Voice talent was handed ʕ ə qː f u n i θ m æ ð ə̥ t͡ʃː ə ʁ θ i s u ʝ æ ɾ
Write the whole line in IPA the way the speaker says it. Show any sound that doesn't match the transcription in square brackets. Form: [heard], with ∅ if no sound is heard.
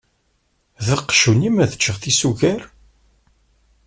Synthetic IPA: [ð] ə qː [ʃ] u n i [∅] m æ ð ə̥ t͡ʃː ə ʁ θ i s u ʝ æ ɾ